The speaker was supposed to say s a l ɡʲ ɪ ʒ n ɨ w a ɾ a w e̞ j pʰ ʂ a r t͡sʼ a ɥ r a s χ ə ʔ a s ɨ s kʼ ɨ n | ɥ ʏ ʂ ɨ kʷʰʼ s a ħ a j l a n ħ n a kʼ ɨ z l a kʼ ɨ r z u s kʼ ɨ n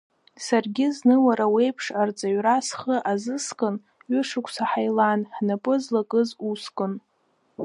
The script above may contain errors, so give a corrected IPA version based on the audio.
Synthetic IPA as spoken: s a r ɡʲ ɪ z n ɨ w a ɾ a w e̞ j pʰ ʂ a r t͡sʼ a ɥ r a s χ ə ʔ a z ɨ s kʼ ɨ n | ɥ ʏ ʂ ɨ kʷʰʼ s a ħ a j l a n ħ n a pʼ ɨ z l a kʼ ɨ z u s kʼ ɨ n